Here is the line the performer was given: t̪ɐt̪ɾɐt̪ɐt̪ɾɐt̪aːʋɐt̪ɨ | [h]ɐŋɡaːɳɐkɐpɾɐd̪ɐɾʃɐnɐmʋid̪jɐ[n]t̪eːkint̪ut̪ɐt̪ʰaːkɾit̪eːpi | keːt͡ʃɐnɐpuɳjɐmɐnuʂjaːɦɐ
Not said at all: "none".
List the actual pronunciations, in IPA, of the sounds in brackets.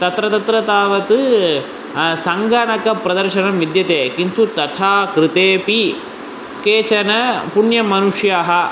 s, none

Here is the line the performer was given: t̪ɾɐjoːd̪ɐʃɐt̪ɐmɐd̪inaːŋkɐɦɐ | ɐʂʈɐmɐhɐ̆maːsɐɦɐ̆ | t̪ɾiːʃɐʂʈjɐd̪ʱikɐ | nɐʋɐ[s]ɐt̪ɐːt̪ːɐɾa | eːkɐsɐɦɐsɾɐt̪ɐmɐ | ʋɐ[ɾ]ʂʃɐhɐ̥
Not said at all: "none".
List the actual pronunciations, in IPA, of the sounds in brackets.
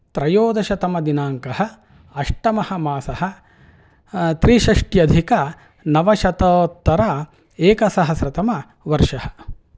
ʃ, ɾ

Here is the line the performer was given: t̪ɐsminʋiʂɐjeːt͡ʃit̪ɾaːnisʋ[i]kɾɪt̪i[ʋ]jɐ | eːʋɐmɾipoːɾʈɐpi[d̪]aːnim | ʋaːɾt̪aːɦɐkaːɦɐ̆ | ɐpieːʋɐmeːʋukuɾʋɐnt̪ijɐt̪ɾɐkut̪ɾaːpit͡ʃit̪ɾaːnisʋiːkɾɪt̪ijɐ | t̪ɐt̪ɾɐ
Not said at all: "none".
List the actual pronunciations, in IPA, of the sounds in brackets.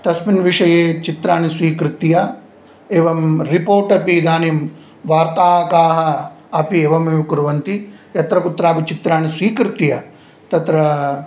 iː, none, d̪

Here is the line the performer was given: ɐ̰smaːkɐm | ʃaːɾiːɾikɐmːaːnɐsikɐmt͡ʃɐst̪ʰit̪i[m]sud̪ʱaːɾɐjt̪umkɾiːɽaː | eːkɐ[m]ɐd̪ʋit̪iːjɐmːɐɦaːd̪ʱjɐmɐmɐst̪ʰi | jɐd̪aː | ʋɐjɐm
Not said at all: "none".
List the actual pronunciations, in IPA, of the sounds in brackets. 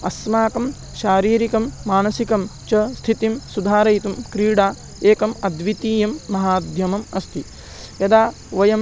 m, m

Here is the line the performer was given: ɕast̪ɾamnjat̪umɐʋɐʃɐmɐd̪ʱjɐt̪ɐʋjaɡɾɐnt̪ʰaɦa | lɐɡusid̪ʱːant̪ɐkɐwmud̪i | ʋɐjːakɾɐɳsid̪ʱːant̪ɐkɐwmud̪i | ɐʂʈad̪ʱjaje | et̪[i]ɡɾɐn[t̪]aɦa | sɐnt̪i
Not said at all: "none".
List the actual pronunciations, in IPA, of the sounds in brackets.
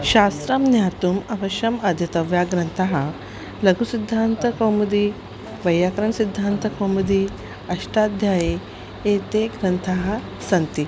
e, t̪ʰ

